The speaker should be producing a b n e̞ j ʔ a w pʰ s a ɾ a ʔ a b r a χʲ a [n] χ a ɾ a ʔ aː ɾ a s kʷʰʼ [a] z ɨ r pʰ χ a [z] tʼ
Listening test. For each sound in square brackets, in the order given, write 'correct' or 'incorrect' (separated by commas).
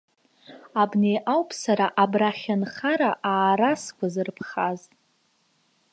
correct, correct, correct